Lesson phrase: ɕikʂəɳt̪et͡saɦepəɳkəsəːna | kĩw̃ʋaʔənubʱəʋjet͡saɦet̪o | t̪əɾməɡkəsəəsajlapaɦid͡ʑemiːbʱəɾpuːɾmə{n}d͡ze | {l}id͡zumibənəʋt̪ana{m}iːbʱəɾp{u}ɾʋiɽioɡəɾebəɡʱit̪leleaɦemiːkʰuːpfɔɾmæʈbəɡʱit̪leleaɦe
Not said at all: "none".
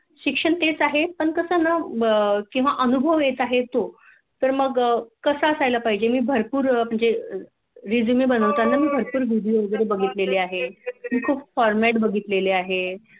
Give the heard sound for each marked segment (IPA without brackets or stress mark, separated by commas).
ɳ, ɾ, m, uː